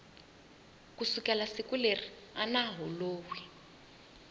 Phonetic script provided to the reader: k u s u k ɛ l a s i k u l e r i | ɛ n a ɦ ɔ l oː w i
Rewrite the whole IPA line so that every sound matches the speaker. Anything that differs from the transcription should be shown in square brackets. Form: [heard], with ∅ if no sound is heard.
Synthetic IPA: k u s u k ɛ l a s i k u l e r i | [a] n a ɦ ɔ l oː w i